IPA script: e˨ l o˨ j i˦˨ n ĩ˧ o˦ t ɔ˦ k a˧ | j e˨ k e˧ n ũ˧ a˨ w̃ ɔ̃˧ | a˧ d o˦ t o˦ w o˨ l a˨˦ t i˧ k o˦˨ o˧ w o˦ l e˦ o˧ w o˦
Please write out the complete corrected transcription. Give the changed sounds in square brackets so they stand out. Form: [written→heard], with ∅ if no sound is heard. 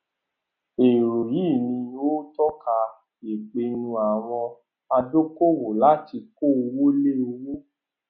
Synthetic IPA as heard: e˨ [l→ɾ] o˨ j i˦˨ n ĩ˧ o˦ t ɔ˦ k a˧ | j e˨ [k→k͡p] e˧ n ũ˧ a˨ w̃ ɔ̃˧ | a˧ d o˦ [t→k] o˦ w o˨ l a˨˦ t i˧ k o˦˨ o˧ w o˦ l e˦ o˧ w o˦

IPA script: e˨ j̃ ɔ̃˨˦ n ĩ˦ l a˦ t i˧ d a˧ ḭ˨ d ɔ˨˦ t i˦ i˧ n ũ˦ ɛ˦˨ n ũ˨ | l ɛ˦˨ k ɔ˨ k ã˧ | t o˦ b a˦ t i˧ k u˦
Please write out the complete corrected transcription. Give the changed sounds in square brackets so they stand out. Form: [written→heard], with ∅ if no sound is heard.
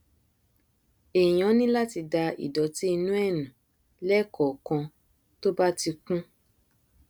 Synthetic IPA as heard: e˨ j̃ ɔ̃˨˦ n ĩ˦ l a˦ t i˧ d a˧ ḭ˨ d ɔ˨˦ t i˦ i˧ n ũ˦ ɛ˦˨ n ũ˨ | l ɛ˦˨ k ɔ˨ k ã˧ | t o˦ b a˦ t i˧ k [u˦→ũ˦]

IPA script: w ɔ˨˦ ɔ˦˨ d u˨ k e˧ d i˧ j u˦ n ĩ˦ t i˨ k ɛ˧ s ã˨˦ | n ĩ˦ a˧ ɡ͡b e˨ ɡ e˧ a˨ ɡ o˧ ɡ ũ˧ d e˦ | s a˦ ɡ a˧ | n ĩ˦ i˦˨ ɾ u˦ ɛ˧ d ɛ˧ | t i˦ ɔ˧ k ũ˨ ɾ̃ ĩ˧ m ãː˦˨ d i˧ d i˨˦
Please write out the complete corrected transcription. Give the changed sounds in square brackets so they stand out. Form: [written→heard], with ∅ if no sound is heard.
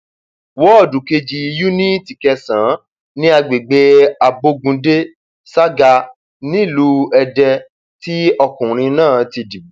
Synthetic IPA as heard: w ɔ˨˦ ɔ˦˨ d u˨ k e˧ [d→d͡ʒ] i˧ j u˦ n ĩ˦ t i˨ k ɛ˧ s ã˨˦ | n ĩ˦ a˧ ɡ͡b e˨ [ɡ→ɡ͡b] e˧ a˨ [ɡ→b] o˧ ɡ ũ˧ d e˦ | s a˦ ɡ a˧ | n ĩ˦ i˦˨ [ɾ→l] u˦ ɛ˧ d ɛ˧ | t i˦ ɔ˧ k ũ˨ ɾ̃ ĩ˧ [m→n] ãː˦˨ [d→t] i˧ d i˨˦

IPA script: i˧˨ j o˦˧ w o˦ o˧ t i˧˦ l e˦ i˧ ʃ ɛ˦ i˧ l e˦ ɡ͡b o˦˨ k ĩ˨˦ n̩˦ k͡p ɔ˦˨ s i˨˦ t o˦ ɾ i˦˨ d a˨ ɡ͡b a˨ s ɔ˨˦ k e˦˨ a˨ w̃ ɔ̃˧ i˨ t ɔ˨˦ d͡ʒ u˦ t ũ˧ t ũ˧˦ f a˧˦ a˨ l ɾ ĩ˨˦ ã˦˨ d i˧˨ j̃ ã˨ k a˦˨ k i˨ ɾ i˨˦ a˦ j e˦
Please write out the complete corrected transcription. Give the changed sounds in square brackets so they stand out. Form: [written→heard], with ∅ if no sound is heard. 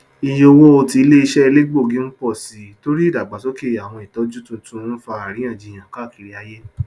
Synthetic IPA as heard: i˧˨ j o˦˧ w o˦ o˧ t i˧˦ l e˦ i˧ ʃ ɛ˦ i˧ l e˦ ɡ͡b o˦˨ [k→ɡ] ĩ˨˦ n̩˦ k͡p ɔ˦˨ s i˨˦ t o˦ ɾ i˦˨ d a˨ ɡ͡b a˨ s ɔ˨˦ k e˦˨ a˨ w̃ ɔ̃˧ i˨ t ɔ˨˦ d͡ʒ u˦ t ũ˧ t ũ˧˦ f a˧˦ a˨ [l→∅] ɾ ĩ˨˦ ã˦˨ [d→d͡ʒ] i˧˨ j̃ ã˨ k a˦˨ k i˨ ɾ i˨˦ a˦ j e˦

